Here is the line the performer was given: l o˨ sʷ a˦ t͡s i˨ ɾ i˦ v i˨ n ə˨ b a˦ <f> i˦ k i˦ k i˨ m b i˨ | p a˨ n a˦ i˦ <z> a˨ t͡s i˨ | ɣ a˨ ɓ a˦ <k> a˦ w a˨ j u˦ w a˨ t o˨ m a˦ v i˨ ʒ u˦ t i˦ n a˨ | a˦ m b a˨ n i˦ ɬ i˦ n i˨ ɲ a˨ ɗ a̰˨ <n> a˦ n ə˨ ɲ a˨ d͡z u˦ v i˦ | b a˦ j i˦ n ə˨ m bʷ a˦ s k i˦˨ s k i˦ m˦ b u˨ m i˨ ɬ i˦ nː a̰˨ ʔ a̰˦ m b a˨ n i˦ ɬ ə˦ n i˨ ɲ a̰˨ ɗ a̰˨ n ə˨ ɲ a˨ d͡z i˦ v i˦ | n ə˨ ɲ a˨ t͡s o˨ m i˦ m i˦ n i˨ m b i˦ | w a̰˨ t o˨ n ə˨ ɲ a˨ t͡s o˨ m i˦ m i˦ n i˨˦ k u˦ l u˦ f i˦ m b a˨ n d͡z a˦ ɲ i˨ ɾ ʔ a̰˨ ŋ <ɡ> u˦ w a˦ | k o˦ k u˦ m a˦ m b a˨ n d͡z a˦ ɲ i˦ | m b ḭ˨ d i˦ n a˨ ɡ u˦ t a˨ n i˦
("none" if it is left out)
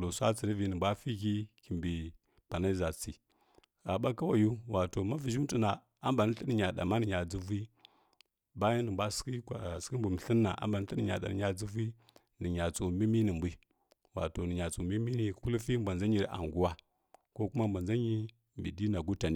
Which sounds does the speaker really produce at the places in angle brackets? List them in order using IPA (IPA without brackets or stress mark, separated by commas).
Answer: f, z, k, m, ɡ